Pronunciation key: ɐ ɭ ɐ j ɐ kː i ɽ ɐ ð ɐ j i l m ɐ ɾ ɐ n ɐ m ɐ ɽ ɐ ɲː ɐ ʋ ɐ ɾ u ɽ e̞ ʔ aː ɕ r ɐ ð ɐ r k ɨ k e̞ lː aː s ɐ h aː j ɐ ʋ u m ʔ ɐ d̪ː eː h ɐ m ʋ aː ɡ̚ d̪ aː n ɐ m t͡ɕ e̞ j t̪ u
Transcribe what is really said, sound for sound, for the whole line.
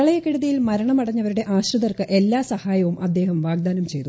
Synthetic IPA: ɐ ɭ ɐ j ɐ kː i ɽ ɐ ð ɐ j i l m ɐ ɾ ɐ ɳ ɐ m ɐ ɽ ɐ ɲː ɐ ʋ ɐ ɾ u ɽ e̞ ʔ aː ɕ r ɐ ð ɐ r k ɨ ʔ e̞ lː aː s ɐ h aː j ɐ ʋ u m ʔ ɐ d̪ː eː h ɐ m ʋ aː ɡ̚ d̪ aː n ɐ m t͡ɕ e̞ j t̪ u